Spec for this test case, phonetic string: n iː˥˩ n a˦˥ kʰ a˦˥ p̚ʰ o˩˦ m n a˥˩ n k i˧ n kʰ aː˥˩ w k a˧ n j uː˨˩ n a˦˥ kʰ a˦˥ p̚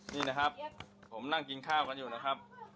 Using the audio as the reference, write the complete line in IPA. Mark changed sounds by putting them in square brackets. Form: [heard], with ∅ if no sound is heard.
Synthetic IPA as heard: n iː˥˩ n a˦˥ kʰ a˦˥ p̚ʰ o˩˦ m n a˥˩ [ŋ] k i˧ n kʰ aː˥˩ w k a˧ n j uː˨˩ n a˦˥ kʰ a˦˥ p̚